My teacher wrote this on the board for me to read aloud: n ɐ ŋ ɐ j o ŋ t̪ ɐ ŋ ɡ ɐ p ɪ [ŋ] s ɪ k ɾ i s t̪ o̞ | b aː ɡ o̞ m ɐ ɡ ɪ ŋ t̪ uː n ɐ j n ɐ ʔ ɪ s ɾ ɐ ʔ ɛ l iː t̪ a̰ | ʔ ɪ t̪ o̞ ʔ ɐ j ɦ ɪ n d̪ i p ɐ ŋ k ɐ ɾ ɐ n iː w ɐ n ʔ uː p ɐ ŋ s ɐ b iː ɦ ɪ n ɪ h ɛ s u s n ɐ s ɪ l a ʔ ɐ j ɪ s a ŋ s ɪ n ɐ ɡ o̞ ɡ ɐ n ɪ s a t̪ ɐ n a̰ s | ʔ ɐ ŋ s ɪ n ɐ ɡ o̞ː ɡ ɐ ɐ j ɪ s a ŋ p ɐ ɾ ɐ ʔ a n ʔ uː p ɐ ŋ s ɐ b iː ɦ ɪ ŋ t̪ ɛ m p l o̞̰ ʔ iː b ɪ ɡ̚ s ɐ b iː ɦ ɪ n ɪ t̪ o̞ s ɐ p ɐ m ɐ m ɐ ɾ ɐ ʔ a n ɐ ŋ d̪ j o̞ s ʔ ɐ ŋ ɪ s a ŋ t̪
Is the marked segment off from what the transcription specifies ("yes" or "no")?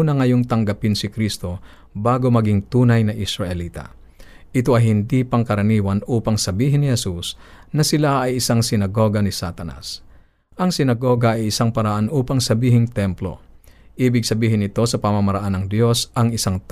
yes